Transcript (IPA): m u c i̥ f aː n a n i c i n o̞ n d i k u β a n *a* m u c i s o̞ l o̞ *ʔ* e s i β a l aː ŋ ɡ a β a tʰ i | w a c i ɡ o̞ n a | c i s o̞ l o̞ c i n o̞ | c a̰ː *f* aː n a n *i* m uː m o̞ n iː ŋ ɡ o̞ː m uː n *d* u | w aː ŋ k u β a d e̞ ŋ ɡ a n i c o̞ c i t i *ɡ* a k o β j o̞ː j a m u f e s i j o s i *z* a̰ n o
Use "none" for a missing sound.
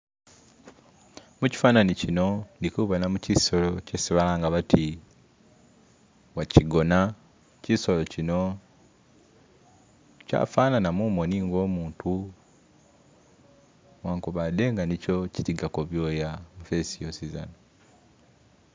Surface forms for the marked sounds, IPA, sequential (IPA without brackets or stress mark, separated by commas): a, c, f, a, t, ɡ, z